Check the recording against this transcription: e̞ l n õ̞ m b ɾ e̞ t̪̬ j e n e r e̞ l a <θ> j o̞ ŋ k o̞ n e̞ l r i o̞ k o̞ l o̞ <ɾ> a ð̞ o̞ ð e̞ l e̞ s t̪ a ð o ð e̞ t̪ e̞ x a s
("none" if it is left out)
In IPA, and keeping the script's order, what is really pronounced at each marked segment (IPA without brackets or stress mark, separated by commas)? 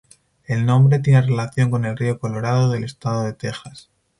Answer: θ, ɾ